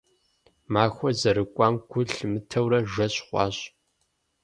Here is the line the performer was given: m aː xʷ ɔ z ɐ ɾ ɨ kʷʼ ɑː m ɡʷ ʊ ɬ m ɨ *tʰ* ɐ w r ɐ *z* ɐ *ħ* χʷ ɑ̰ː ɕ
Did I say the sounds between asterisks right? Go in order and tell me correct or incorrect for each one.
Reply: correct, incorrect, incorrect

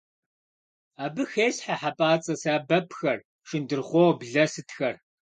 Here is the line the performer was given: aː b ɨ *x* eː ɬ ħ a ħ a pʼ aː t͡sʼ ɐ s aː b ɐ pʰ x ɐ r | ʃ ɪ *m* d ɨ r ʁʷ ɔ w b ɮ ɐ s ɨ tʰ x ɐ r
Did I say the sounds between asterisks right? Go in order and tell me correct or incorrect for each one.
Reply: correct, incorrect

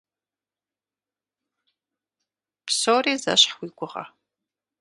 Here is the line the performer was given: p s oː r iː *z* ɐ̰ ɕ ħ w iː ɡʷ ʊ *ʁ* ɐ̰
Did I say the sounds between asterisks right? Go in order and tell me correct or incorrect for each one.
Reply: correct, correct

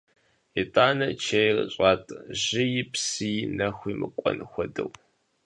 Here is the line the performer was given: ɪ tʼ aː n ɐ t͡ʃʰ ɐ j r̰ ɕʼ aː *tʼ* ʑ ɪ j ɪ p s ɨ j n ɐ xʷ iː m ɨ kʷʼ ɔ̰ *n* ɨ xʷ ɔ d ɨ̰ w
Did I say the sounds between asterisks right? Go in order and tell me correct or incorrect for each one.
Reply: correct, correct

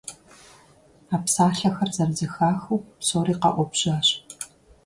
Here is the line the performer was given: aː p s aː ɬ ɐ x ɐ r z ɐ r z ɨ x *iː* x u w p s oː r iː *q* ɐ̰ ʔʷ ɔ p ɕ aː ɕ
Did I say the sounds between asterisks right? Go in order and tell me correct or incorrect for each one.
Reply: incorrect, correct

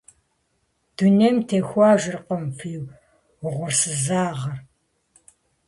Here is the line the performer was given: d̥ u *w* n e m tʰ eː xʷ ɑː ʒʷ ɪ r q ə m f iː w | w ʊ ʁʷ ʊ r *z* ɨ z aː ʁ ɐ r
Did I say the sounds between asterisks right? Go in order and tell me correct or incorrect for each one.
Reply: incorrect, incorrect

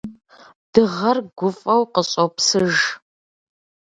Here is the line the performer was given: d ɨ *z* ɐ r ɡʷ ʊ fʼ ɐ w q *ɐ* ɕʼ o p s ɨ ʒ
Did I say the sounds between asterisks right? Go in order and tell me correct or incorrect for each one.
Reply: incorrect, incorrect

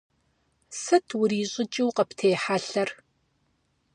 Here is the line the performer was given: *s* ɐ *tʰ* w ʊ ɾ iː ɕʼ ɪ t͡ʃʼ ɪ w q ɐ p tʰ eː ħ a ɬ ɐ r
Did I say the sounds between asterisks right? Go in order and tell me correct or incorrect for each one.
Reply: correct, correct

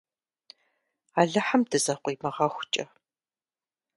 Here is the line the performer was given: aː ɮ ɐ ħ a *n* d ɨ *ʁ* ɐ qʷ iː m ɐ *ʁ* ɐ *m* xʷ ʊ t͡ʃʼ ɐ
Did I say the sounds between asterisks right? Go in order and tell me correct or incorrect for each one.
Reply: incorrect, incorrect, correct, incorrect

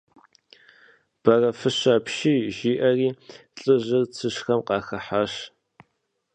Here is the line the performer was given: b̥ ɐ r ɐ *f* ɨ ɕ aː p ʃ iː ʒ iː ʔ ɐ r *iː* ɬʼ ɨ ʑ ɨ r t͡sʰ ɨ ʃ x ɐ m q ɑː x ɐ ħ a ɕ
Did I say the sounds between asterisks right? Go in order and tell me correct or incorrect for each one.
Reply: correct, correct

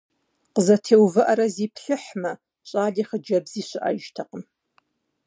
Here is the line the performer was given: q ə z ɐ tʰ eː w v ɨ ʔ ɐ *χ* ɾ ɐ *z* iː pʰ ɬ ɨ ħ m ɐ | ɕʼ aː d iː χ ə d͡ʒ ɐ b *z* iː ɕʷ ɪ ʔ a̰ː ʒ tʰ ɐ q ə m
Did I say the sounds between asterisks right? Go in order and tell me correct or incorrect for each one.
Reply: incorrect, correct, correct

